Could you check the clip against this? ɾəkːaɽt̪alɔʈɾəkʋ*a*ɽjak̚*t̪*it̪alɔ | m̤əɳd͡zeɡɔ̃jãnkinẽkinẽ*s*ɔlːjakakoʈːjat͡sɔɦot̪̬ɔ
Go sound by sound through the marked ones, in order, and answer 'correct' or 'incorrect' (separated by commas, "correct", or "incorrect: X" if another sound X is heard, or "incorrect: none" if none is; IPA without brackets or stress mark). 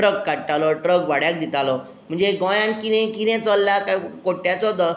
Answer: correct, incorrect: d̪, incorrect: t͡s